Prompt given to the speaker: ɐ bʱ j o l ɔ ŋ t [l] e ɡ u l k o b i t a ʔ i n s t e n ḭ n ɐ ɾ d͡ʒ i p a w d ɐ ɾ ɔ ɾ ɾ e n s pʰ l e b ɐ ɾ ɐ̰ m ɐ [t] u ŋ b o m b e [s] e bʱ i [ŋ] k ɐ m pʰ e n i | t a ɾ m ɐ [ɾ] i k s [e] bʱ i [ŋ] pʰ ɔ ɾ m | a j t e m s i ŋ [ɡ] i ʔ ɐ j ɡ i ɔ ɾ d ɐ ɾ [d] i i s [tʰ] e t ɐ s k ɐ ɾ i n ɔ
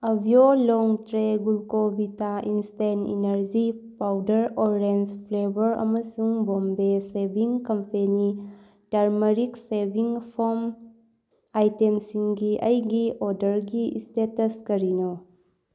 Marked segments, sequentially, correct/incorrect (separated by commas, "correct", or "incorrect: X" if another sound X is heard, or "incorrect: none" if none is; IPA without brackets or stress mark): incorrect: ɾ, incorrect: s, correct, correct, correct, correct, correct, correct, incorrect: ɡ, incorrect: t